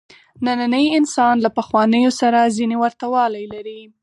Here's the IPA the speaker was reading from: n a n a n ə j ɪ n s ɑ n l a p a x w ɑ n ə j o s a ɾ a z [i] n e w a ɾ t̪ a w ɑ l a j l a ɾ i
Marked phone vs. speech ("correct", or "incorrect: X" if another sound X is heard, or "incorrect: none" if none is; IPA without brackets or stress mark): correct